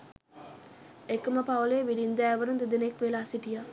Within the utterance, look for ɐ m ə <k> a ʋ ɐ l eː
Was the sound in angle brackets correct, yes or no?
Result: no